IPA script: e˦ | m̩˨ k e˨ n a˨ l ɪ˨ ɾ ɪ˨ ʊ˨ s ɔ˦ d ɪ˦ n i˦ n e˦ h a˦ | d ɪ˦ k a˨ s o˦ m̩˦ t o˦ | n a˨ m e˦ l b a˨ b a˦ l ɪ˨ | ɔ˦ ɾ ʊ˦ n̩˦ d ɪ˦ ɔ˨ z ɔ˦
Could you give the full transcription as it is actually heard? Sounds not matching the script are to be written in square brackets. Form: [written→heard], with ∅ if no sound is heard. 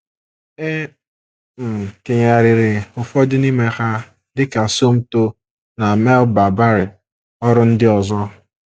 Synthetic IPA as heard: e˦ | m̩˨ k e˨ [n→ɲ] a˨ [l→ɾ] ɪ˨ ɾ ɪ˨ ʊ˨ [s→f] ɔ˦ d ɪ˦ n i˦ [n→m] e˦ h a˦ | d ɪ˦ k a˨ s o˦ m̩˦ t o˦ | n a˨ m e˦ l b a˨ b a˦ [l→ɾ] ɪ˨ | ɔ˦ ɾ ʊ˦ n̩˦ d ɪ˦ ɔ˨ z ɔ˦

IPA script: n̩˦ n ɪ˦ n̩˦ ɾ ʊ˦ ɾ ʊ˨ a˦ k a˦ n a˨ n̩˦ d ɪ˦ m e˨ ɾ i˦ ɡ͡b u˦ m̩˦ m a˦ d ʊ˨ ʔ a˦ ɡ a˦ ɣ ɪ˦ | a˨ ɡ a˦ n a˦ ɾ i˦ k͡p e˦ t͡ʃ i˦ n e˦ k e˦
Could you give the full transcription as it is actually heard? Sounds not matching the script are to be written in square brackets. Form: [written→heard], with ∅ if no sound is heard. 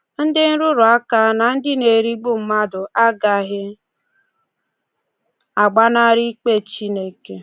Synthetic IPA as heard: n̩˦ [n→d] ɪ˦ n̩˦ ɾ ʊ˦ ɾ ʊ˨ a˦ k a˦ n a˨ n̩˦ d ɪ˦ [m→n] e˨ ɾ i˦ ɡ͡b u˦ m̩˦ m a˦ d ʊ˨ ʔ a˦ ɡ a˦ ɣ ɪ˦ | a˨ [ɡ→ɡ͡b] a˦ n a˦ ɾ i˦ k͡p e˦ t͡ʃ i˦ n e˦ k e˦

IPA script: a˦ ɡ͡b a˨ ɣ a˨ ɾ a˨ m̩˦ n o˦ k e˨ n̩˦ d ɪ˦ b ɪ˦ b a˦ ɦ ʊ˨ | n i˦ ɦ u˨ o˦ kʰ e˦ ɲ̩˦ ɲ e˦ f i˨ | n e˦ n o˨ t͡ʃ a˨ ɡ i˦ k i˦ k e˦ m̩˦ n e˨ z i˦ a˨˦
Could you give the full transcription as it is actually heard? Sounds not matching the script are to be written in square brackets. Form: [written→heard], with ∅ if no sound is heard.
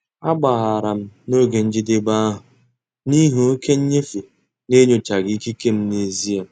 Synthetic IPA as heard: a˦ ɡ͡b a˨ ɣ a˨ ɾ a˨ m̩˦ n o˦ [k→ɡ] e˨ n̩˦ [d→d͡ʒ] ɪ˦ [b→d] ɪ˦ b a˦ ɦ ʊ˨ | n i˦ ɦ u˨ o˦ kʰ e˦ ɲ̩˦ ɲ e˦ f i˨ | n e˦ [n→ɲ] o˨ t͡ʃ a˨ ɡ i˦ k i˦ k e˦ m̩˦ n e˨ z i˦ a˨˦

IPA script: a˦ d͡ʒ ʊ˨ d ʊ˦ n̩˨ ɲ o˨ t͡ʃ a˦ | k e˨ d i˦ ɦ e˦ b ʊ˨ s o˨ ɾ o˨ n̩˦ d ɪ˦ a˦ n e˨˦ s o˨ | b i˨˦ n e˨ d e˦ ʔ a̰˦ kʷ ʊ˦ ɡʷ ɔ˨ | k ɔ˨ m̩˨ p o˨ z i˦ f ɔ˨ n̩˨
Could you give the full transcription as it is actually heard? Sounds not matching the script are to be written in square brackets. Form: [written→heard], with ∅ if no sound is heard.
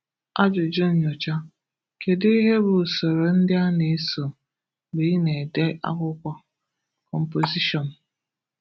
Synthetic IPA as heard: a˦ d͡ʒ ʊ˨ [d→d͡ʒ] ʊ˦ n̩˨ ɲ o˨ t͡ʃ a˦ | k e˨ d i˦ ɦ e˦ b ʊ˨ s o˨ ɾ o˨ n̩˦ d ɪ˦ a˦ n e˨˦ s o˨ | b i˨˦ n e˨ d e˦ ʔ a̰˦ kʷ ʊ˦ [ɡʷ→kʷ] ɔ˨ | k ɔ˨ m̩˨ p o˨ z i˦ [f→ʃ] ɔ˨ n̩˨

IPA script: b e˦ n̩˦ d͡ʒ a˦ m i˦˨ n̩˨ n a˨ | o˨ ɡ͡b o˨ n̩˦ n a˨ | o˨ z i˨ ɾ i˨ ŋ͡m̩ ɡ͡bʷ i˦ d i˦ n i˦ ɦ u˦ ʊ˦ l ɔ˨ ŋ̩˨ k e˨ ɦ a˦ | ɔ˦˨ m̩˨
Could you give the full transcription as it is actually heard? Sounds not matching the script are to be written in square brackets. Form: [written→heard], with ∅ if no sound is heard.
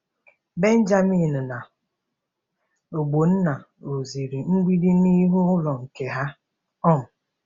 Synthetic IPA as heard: b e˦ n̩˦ d͡ʒ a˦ m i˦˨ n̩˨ n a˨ | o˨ ɡ͡b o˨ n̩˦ n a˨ | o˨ z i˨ ɾ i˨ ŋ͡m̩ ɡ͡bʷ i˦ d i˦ n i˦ ɦ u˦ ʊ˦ l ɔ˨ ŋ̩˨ k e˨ ɦ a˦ | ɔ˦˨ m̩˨

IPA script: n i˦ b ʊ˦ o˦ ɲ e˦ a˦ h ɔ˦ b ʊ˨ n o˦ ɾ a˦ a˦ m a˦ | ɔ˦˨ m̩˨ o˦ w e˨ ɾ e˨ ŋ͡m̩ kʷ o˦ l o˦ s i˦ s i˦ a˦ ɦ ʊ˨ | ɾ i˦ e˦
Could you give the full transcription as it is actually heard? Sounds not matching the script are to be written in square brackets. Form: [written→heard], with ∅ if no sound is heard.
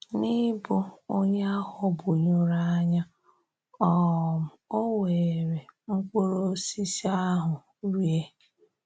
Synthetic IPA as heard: n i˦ b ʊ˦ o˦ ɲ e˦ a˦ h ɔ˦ b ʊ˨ [n→ɲ] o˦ ɾ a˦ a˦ [m→ɲ] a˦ | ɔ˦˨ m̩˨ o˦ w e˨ ɾ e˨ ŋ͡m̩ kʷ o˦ [l→ɾ] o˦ s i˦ s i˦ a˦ ɦ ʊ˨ | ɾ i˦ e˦

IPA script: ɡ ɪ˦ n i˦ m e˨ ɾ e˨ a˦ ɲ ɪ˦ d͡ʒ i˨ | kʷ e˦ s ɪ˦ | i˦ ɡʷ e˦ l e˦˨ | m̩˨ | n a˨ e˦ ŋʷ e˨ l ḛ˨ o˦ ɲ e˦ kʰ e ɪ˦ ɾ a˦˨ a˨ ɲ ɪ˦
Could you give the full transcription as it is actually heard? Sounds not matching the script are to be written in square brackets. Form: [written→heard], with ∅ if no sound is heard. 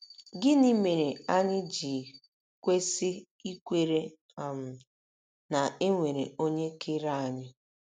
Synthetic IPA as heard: ɡ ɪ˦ n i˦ m e˨ ɾ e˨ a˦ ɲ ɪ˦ d͡ʒ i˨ | kʷ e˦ s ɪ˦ | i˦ [ɡʷ→kʷ] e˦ [l→ɾ] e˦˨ | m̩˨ | n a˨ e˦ ŋʷ e˨ [l→ɾ] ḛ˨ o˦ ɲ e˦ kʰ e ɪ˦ ɾ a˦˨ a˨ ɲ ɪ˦

